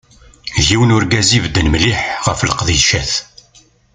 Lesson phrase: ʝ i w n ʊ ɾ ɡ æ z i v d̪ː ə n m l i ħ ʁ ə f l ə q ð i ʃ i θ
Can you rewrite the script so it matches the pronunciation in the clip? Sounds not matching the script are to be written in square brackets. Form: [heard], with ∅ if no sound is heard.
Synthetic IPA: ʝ i w n ʊ ɾ ɡ æ z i v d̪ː ə n m l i ħ ʁ ə f l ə q ð i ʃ [æ] θ